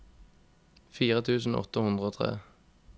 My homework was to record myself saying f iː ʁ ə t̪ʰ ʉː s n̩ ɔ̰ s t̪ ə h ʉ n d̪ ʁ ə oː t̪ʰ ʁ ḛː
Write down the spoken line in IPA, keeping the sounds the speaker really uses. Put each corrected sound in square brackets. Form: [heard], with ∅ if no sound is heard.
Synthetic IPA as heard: f iː ʁ ə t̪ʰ ʉː s n̩ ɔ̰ [∅] t̪ ə h ʉ n d̪ ʁ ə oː t̪ʰ ʁ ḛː